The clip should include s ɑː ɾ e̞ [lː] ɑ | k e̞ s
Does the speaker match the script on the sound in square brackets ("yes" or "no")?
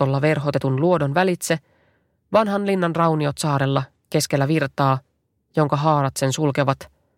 yes